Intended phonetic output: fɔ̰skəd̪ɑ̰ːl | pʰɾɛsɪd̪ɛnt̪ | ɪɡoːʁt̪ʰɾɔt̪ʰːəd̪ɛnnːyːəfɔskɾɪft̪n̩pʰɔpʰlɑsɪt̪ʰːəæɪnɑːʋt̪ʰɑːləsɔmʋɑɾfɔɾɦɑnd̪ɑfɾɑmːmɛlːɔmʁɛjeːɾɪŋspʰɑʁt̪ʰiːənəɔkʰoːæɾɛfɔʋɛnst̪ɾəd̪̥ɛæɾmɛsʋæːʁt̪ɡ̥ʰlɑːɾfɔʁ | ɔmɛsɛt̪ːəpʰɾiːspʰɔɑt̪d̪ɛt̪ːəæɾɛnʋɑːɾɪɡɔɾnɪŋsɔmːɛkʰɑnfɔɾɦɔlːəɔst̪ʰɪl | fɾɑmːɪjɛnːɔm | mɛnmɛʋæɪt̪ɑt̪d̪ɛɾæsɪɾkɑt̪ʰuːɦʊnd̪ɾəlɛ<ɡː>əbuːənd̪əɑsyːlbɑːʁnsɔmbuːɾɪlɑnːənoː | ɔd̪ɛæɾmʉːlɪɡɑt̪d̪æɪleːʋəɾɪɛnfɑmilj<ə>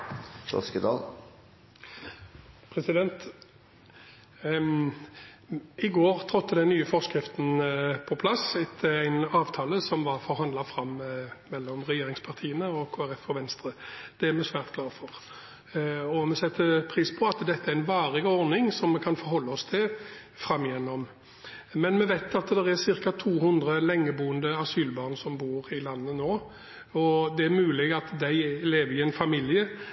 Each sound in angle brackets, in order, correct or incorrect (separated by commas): incorrect, correct